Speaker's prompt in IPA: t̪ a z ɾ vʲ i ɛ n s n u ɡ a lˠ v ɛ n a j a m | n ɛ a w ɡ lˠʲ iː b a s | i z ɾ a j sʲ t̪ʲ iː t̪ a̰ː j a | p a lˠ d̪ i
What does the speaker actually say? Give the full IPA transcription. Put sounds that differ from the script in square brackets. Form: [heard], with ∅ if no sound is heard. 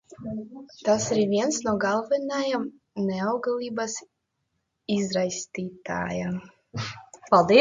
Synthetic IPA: t̪ a [s] ɾ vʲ i ɛ n s n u ɡ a lˠ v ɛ n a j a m | n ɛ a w ɡ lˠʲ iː b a s | i z ɾ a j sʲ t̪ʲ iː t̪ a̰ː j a | p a lˠ d̪ i